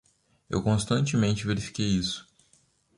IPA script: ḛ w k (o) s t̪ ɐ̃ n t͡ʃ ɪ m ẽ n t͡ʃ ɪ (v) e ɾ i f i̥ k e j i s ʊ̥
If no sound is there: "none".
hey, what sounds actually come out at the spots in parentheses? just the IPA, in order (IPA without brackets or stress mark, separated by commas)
õ, v